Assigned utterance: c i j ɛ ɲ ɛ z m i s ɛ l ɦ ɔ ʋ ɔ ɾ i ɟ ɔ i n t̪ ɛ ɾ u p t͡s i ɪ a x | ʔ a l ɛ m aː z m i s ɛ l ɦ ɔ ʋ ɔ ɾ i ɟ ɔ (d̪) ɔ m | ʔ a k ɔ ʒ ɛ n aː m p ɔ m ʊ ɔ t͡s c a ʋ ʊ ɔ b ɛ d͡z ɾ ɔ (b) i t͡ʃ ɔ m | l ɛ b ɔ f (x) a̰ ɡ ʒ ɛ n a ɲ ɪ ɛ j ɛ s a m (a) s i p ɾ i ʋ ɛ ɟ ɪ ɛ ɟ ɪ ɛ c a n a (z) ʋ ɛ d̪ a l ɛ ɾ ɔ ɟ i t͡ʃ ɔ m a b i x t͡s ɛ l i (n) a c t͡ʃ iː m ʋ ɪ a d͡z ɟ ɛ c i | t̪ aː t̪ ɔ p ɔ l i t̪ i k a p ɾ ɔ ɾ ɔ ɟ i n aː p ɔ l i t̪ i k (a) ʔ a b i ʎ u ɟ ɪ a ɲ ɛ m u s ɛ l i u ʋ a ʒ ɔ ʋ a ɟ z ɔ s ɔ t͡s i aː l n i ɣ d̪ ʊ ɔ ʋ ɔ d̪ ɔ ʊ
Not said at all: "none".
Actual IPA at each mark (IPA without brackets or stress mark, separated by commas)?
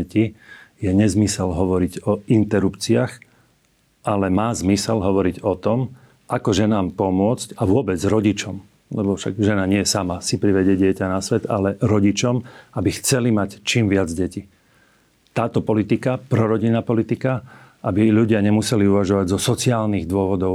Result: t̪, ɟ, ʃ, a, s, m, a